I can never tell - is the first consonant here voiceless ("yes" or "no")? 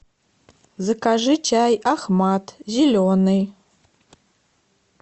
no